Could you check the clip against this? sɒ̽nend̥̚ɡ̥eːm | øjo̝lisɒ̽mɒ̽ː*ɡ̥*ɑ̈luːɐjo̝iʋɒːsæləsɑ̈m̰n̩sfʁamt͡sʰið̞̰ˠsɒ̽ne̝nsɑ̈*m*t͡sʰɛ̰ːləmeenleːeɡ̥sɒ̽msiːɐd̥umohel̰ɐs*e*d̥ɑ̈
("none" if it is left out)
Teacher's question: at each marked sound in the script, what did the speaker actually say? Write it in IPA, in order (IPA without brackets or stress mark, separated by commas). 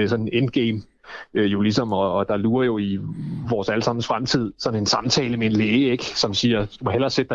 d̥, m, e